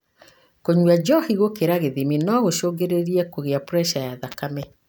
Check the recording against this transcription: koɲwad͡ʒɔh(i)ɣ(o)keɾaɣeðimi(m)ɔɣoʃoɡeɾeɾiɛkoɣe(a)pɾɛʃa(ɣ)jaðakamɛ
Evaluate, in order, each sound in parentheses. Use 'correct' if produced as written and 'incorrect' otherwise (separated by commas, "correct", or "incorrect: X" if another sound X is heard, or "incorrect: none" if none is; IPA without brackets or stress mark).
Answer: correct, correct, incorrect: n, correct, incorrect: none